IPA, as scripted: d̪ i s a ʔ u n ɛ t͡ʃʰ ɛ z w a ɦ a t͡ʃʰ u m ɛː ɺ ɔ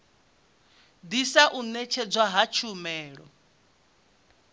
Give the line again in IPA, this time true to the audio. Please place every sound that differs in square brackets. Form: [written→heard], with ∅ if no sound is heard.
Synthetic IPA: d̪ i s a ʔ u n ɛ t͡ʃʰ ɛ [z→d͡z] w a ɦ a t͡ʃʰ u m ɛː ɺ ɔ